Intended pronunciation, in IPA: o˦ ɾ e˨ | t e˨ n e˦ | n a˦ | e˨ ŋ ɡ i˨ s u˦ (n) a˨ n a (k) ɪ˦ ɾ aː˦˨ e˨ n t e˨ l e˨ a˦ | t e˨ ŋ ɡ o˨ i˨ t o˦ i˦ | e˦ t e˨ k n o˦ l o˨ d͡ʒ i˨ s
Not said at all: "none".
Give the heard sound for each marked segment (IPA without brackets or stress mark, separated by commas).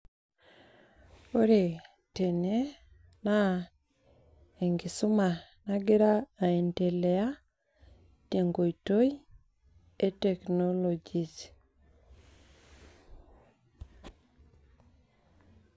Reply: m, ɡ